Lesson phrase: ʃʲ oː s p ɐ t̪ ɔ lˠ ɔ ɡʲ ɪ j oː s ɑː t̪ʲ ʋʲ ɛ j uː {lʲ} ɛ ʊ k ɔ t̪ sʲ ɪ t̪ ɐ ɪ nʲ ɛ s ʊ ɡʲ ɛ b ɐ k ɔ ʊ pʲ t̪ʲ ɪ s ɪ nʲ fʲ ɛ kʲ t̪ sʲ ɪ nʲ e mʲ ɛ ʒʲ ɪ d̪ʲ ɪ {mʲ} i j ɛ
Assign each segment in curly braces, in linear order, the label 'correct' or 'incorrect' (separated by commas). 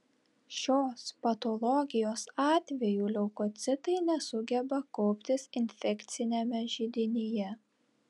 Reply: correct, incorrect